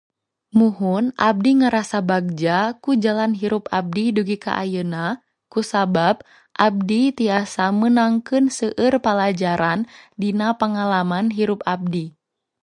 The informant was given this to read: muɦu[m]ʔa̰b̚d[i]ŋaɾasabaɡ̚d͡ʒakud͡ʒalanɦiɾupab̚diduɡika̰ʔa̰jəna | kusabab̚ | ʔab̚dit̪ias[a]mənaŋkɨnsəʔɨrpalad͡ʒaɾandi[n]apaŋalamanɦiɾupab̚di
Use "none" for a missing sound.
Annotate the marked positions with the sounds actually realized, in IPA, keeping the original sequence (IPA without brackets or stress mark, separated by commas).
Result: n, i, a, n